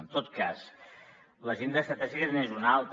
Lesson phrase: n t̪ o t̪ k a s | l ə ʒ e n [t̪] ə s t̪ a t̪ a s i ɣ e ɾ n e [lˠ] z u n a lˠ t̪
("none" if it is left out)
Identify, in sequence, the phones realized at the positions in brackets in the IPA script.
d̪, none

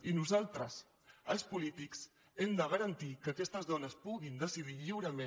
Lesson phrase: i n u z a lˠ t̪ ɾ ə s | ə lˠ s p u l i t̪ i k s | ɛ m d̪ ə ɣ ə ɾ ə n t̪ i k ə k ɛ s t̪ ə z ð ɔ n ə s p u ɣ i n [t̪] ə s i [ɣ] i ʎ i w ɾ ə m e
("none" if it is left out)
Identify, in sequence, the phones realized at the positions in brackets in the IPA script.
d̪, ð

